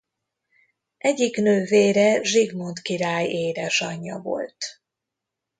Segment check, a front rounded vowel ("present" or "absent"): present